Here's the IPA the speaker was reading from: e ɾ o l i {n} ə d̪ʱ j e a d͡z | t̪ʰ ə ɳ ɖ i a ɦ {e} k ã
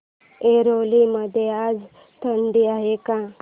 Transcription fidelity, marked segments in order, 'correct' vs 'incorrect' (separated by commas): incorrect, correct